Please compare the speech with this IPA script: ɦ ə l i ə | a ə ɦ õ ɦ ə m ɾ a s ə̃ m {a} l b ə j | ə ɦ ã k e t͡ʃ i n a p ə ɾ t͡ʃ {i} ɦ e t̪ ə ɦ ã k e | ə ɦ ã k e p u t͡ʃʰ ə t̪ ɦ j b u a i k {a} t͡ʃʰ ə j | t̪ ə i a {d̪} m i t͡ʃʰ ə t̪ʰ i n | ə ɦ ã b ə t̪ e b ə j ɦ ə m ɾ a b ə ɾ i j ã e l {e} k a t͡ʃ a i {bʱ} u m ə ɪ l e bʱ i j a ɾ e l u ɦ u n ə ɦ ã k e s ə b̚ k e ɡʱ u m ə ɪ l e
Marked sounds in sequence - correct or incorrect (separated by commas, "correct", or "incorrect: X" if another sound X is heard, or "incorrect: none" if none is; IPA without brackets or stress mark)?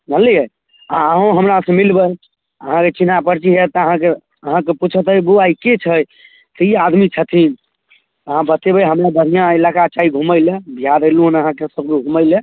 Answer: incorrect: i, correct, incorrect: e, correct, incorrect: a, incorrect: ɡʱ